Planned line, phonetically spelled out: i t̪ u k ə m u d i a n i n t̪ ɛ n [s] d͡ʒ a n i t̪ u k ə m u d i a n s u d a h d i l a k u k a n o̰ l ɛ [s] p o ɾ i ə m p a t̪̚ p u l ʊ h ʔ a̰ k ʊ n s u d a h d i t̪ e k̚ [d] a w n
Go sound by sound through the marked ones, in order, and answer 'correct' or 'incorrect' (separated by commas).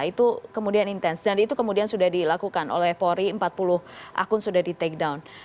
correct, incorrect, correct